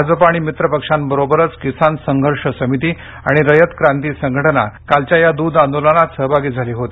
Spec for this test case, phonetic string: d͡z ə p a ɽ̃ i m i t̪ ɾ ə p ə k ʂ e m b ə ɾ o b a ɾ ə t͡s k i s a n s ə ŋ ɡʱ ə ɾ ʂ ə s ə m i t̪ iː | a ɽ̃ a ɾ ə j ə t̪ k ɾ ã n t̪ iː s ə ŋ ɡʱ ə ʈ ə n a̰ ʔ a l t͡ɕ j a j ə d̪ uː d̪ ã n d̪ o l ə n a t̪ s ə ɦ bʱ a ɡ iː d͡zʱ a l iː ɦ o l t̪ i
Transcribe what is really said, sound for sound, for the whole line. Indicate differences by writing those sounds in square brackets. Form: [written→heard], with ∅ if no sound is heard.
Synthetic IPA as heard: d͡z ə p a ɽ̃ i m i t̪ ɾ ə p ə k ʂ [e→a] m b ə ɾ o b [a→ə] ɾ ə t͡s k i s a n s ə ŋ ɡʱ ə ɾ ʂ ə s ə m i t̪ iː | a ɽ̃ [a→i] ɾ ə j ə t̪ k ɾ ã n t̪ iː s ə ŋ ɡʱ ə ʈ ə n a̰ [ʔ→k] a l t͡ɕ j a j [ə→a] d̪ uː d̪ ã n d̪ o l ə n a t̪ s ə ɦ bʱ a ɡ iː d͡zʱ a l iː ɦ o [l→∅] t̪ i

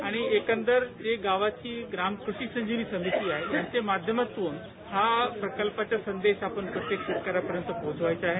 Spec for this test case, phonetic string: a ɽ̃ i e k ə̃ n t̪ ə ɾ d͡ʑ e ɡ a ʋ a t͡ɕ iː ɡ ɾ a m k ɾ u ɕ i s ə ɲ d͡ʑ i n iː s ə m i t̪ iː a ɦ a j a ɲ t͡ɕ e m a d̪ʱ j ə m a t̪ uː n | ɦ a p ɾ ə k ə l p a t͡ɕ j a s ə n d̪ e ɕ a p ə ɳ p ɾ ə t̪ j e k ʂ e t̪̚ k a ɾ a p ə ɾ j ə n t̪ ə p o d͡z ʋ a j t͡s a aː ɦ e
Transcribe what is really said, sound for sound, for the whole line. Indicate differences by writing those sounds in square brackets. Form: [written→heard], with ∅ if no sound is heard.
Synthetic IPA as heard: a ɽ̃ i e k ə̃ n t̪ ə ɾ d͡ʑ e ɡ a ʋ a t͡ɕ iː ɡ ɾ a m k ɾ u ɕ i s ə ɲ d͡ʑ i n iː s ə m i t̪ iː a ɦ [a→e] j a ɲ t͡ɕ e m a d̪ʱ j ə m a t̪ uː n | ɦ a p ɾ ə k ə l p a t͡ɕ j a s ə n d̪ e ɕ a p ə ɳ p ɾ ə t̪ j e k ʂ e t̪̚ k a ɾ a p ə ɾ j ə n t̪ ə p o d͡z ʋ a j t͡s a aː ɦ e

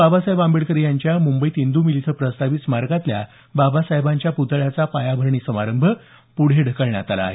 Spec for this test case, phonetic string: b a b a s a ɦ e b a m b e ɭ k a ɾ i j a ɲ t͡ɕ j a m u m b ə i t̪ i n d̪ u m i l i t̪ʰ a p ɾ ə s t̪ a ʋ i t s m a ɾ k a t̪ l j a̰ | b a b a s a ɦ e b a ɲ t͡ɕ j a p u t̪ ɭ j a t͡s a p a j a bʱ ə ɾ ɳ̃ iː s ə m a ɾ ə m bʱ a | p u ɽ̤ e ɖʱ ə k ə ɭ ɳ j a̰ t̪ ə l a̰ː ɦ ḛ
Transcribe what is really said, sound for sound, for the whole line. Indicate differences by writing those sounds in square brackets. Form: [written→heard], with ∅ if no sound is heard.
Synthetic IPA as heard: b a b a s a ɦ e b a m b e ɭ k [a→ə] ɾ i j a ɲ t͡ɕ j a m u m b ə i t̪ i n d̪ u m i l i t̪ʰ [a→ə] p ɾ ə s t̪ a ʋ i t s m a ɾ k a t̪ l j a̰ | b a b a s a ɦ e b a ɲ t͡ɕ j a p u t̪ ɭ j a t͡s a p a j a bʱ ə ɾ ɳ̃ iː s ə m a ɾ ə m bʱ [a→ə] | p u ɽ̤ e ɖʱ ə k ə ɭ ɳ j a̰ t̪ [ə→a] l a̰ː ɦ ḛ

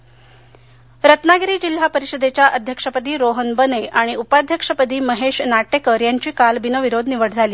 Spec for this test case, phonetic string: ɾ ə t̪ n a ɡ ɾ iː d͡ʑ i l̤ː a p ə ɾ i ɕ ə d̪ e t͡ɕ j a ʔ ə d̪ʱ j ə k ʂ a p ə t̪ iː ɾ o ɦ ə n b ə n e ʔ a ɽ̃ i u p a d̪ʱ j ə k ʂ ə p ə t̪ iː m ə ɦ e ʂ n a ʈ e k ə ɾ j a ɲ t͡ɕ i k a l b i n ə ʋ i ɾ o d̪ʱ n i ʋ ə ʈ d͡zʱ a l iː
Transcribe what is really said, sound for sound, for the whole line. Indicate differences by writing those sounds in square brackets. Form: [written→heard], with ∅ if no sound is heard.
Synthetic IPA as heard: ɾ ə t̪ n a ɡ ɾ iː d͡ʑ i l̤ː a p ə ɾ i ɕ ə d̪ e t͡ɕ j a ʔ ə d̪ʱ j ə k ʂ [a→ə] p ə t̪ iː ɾ o ɦ ə n b ə n e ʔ a ɽ̃ i u p a d̪ʱ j ə k ʂ ə p ə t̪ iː m ə ɦ e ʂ n a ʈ e k ə ɾ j a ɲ t͡ɕ [i→iː] k a l b i n ə ʋ i ɾ o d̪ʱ n i ʋ ə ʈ d͡zʱ a l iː

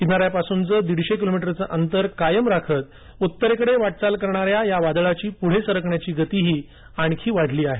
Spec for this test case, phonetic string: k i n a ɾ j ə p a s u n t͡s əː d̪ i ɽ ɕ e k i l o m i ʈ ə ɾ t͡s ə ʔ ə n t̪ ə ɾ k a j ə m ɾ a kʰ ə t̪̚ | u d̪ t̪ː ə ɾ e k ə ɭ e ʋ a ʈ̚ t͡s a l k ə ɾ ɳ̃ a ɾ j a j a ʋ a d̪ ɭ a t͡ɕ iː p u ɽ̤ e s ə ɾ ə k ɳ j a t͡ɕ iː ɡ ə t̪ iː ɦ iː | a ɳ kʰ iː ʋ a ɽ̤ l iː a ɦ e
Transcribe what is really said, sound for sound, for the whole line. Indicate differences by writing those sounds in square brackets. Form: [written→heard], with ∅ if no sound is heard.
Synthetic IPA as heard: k i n a ɾ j [ə→a] p a s u n t͡s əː d̪ i ɽ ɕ e k i l o m i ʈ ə ɾ t͡s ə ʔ ə n t̪ ə ɾ k a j ə m ɾ a kʰ ə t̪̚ | u [d̪→∅] t̪ː ə ɾ e k ə [ɭ→ɽ] e ʋ a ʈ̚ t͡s a l k ə ɾ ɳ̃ a ɾ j a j a ʋ a d̪ ɭ a t͡ɕ iː p u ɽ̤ e s ə ɾ ə k ɳ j a t͡ɕ iː ɡ ə t̪ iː ɦ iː | a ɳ kʰ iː ʋ a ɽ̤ l iː a ɦ e

